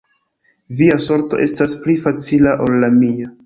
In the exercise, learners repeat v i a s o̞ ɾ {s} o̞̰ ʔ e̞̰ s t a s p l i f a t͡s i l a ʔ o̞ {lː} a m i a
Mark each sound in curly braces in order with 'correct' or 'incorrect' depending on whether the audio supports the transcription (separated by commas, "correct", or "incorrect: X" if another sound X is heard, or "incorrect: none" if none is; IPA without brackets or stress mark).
incorrect: t, correct